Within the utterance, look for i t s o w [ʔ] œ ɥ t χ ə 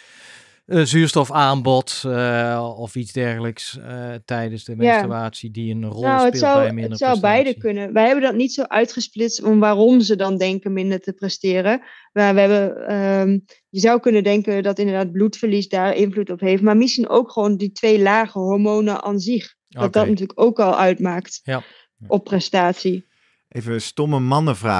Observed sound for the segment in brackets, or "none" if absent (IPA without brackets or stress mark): ʔ